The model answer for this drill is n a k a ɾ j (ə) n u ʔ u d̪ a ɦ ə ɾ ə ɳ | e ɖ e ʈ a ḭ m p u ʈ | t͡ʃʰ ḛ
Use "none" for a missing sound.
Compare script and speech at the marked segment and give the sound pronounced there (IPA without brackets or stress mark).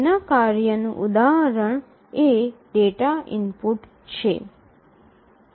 ə